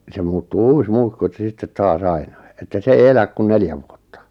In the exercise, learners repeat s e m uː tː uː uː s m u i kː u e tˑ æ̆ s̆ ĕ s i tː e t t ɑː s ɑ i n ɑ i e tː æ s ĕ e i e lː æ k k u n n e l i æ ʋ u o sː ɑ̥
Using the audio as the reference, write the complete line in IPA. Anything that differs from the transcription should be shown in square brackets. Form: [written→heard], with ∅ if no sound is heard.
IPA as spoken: s e m uː tː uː uː s m u i kː u e tˑ æ̆ s̆ ĕ s i tː e t t ɑː s ɑ i n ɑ i e tː æ s ĕ e i e [lː→l] æ k k u n n e l [i→j] æ ʋ u o [sː→tː] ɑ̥